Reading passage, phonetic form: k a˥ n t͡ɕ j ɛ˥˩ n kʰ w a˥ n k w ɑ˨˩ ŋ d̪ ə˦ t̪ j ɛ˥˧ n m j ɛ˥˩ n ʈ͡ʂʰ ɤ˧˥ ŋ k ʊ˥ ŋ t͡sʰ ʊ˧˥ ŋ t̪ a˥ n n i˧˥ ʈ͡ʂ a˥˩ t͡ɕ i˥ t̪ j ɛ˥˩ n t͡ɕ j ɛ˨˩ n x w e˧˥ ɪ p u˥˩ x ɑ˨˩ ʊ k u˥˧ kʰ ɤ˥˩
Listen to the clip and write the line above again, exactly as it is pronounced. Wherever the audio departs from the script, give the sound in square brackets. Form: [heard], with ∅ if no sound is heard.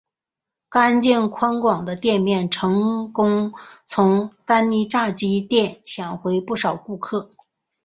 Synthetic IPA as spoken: k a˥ n t͡ɕ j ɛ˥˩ n kʰ w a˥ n k w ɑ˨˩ ŋ d̪ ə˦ t̪ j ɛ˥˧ n m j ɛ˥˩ n ʈ͡ʂʰ ɤ˧˥ ŋ k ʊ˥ ŋ t͡sʰ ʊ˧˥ ŋ t̪ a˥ n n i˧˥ ʈ͡ʂ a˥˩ t͡ɕ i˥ t̪ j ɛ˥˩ n [t͡ɕʰ] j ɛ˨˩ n x w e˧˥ ɪ p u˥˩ [ʂ] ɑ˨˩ ʊ k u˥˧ kʰ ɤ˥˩